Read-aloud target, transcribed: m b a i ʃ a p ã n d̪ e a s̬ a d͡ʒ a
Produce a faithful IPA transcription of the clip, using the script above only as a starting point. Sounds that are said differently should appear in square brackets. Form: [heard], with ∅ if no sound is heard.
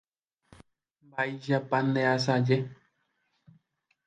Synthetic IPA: m b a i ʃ a p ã n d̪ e a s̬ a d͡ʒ [e]